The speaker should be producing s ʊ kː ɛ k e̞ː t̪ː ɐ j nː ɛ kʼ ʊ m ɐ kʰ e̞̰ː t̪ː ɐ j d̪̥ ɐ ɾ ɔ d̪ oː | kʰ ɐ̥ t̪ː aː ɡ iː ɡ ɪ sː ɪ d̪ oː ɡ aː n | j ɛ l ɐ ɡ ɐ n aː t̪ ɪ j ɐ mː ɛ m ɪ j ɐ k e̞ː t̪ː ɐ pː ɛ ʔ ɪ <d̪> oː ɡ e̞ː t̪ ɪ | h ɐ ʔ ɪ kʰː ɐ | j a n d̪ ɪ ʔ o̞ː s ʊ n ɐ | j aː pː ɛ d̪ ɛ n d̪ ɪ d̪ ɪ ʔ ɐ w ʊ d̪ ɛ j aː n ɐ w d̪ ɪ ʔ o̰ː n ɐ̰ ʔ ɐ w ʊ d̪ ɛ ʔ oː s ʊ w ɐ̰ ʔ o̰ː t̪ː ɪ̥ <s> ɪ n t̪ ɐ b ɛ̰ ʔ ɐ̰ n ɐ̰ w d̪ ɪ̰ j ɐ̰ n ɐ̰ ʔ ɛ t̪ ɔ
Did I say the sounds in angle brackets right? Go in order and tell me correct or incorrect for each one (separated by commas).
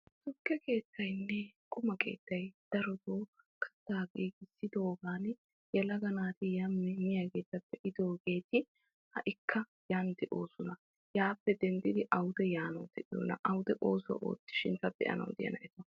correct, incorrect